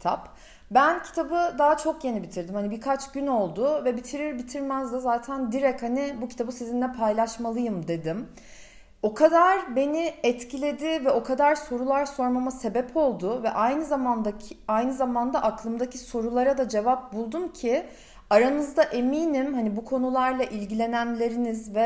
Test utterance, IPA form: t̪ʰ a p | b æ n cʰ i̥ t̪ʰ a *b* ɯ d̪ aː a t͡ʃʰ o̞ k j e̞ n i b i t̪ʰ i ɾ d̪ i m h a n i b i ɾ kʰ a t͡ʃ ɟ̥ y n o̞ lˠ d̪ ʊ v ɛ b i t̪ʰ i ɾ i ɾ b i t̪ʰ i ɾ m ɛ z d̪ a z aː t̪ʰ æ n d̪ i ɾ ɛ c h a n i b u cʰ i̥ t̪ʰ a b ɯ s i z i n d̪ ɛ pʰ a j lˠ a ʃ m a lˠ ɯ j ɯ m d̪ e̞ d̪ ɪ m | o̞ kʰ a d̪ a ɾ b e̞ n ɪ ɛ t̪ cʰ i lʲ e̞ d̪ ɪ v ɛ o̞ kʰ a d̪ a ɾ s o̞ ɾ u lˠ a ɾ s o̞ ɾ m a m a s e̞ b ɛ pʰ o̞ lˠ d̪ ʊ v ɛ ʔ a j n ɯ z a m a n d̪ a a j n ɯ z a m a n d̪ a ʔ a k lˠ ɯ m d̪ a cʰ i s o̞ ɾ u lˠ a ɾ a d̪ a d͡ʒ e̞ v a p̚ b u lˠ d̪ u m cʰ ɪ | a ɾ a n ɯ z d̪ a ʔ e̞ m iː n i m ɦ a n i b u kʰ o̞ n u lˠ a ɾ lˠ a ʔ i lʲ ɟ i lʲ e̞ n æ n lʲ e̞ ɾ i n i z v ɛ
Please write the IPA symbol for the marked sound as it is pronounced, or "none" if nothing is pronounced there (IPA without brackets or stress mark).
b